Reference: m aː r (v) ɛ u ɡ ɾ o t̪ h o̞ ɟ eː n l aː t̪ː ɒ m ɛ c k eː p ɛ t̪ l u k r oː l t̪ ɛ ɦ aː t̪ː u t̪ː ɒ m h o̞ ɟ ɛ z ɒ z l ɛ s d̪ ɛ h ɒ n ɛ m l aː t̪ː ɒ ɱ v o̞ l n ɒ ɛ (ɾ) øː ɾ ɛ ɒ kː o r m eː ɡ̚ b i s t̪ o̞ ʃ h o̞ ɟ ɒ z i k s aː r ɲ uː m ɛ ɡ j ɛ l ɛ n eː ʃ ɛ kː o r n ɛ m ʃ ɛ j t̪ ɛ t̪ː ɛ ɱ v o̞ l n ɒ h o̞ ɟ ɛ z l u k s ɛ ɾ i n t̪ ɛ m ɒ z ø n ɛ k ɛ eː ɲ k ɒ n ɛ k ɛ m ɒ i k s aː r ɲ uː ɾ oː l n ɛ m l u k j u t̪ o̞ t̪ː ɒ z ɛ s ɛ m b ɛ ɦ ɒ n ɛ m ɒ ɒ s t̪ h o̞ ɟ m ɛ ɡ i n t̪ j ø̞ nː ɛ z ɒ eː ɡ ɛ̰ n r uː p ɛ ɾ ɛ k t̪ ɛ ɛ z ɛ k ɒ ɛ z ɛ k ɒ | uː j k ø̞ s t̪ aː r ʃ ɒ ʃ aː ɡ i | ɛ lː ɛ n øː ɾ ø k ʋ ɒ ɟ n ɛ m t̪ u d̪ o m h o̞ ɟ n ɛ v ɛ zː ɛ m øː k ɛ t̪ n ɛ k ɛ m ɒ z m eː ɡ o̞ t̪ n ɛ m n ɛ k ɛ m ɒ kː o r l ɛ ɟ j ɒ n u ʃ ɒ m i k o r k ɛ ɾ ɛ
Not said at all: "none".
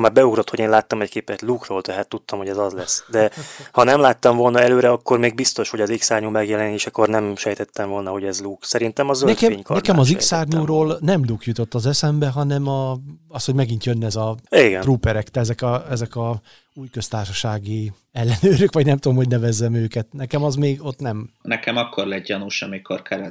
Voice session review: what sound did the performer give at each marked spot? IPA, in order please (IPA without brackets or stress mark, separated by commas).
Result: b, l